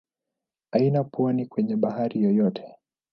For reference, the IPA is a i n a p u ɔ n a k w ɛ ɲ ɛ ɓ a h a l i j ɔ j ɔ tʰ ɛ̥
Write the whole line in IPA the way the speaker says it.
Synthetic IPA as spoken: a i n a p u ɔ n i k w ɛ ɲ ɛ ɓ a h a ɾ i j ɔ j ɔ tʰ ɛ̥